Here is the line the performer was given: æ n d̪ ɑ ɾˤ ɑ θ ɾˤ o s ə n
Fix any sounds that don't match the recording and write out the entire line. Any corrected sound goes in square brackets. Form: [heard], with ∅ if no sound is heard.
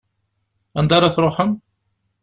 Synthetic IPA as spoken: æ n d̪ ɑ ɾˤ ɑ θ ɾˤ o [ħ] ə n